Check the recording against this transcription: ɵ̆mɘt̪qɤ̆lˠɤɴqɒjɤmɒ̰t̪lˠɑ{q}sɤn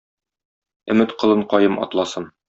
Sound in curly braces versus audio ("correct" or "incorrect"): incorrect